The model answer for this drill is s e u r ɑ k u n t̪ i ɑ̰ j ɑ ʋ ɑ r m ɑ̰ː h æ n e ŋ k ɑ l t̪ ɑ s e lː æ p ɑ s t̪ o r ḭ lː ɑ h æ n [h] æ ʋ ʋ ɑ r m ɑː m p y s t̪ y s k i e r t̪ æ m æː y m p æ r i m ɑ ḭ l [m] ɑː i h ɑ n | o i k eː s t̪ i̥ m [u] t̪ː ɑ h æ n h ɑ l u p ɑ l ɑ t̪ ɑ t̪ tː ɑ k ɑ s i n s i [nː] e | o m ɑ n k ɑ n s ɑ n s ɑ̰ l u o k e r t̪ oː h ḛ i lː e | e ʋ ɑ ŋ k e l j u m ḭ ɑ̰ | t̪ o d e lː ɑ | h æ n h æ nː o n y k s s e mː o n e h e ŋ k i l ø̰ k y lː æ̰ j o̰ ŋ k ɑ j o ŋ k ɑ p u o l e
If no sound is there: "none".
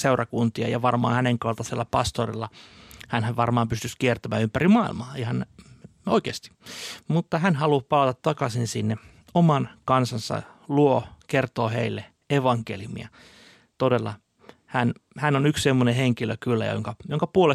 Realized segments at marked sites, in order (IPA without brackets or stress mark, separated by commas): h, m, u, nː